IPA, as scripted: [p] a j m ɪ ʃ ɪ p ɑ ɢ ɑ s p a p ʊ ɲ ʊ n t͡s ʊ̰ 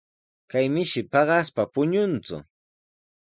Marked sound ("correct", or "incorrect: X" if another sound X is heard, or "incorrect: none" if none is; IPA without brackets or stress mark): incorrect: k